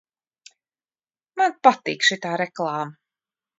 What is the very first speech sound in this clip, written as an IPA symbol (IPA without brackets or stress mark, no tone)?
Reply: m